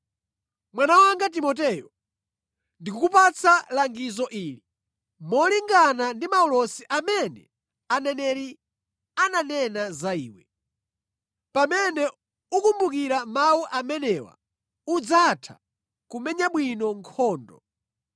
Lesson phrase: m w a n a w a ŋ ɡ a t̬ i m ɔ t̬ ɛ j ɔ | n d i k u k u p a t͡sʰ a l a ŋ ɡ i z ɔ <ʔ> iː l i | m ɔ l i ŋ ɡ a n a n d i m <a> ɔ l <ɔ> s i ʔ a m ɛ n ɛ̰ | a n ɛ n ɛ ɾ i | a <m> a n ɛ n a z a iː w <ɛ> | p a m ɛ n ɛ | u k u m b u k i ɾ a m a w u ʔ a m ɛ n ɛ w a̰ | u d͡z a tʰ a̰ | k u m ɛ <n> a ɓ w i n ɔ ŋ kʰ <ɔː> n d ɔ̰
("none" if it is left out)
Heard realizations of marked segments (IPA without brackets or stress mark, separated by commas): ʔ, a, ɔ, n, ɛ, ɲ, ɔː